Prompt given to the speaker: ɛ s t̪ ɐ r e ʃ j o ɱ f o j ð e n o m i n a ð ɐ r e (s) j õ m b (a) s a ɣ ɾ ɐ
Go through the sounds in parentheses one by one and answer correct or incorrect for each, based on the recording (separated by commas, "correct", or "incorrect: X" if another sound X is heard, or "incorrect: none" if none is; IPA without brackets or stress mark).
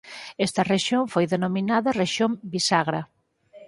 incorrect: ʃ, incorrect: i